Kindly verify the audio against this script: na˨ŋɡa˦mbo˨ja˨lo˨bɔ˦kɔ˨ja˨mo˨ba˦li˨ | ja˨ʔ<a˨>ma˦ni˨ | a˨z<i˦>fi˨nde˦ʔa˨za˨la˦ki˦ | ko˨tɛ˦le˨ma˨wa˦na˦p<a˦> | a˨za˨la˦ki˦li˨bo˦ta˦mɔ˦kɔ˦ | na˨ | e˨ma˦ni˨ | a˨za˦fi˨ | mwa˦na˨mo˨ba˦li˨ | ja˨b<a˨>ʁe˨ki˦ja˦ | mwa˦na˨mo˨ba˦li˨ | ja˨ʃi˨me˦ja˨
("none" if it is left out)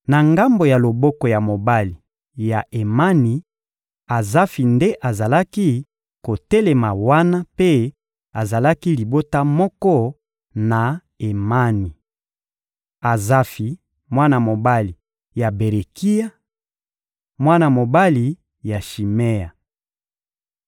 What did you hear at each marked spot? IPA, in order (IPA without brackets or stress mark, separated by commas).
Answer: e˨, a˦, e˦, e˨